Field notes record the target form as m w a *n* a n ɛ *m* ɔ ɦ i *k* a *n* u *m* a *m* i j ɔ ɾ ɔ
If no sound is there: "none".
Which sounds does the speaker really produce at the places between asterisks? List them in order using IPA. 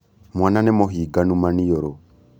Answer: n, m, ɡ, n, m, n

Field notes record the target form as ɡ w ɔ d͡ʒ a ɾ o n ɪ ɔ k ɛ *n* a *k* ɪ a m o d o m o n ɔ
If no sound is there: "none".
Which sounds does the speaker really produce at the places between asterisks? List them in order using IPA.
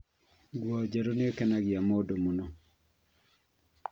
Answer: n, ɡ

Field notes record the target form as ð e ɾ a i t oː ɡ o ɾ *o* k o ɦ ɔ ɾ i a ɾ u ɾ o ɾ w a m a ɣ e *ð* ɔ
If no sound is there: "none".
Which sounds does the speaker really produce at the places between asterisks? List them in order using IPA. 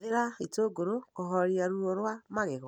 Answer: o, ɣ

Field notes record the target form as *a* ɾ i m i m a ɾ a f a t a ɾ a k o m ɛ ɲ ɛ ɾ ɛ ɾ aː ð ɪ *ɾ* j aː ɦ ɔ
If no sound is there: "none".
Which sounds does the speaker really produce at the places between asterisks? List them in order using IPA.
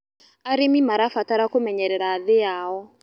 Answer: a, none

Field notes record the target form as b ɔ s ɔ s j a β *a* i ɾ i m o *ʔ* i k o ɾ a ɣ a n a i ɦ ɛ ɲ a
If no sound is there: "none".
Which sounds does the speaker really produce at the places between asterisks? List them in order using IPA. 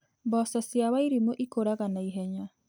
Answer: a, ʔ

